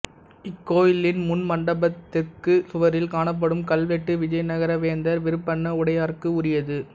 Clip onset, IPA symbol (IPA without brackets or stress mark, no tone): ɪ